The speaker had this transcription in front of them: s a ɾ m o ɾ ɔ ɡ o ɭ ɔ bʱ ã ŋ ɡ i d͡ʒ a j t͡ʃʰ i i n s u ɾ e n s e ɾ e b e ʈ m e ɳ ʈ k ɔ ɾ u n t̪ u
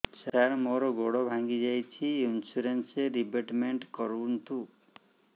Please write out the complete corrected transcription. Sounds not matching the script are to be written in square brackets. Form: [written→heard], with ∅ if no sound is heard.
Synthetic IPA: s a ɾ m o ɾ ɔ ɡ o [ɭ→ɽ] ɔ bʱ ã ŋ ɡ i d͡ʒ a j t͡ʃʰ i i n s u ɾ e n s e ɾ [e→i] b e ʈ m e ɳ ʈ k ɔ ɾ u n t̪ u